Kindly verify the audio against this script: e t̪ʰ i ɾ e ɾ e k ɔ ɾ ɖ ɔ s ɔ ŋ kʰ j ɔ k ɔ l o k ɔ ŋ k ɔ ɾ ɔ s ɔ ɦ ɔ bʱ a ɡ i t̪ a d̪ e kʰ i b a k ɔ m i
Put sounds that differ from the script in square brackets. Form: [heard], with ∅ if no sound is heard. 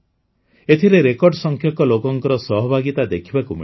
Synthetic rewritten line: e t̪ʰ i ɾ e ɾ e k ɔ ɾ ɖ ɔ s ɔ ŋ kʰ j ɔ k ɔ l o k ɔ ŋ k ɔ ɾ ɔ s ɔ ɦ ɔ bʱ a ɡ i t̪ a d̪ e kʰ i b a k [u] m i